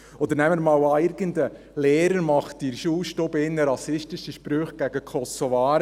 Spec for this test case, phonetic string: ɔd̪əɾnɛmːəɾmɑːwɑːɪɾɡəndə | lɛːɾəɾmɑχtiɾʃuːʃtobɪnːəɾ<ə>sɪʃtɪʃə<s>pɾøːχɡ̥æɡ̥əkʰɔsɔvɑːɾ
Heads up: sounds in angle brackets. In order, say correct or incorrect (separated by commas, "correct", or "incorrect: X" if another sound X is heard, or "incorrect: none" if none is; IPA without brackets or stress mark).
incorrect: ɑ, incorrect: ʃ